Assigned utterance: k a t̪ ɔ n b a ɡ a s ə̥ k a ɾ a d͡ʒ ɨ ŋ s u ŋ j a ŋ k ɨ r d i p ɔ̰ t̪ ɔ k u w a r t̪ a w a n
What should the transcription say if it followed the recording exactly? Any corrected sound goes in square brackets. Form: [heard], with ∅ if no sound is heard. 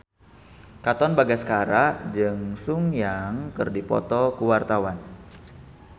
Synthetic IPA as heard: k a t̪ ɔ n b a ɡ a s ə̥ k a ɾ a d͡ʒ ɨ ŋ s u ŋ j a ŋ k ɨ r d i p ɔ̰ t̪ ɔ k u w a r t̪ a w a n